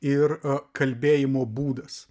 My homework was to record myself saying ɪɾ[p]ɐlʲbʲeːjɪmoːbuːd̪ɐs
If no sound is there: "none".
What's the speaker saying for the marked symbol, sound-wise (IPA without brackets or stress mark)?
k